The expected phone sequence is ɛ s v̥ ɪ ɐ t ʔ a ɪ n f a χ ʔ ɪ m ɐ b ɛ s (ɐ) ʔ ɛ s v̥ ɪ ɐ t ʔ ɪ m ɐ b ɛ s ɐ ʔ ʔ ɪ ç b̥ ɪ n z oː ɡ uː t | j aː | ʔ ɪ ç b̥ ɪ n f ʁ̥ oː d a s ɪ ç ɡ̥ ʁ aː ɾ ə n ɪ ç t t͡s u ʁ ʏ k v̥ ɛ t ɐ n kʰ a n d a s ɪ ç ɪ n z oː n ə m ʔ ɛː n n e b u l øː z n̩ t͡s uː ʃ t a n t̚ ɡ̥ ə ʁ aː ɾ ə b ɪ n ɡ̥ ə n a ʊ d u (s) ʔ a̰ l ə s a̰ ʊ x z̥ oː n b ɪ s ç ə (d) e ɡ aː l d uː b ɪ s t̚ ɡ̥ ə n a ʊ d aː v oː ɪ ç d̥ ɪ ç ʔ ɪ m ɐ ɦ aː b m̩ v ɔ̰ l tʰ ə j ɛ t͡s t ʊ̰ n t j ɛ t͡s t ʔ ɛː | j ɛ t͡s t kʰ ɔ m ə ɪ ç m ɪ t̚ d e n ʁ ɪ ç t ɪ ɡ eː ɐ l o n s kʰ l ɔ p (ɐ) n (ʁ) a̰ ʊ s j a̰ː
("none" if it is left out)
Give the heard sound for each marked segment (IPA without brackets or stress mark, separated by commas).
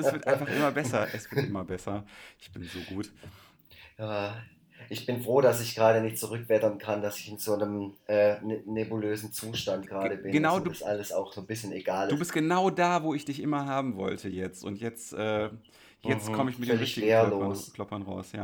ɐ, s, n, ɐ, ʁ